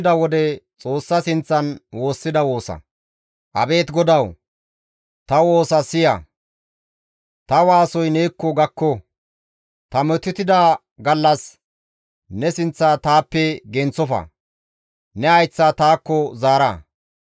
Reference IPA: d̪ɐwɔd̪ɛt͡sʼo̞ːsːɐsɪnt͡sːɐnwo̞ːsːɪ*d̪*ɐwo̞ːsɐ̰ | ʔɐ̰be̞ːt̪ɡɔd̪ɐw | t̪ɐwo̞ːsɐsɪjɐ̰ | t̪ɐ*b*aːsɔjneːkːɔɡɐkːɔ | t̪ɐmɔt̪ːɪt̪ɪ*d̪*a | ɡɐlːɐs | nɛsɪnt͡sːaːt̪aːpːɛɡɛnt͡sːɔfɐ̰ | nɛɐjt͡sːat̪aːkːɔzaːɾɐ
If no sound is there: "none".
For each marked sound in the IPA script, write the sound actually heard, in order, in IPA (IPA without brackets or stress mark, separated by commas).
d̪, w, d̪